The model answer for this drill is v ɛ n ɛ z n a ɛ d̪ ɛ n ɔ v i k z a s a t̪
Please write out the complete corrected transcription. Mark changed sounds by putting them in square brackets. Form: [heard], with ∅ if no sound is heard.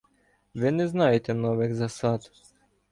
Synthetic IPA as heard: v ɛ n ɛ z n a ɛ [t̪] ɛ n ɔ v [ɛ] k z a s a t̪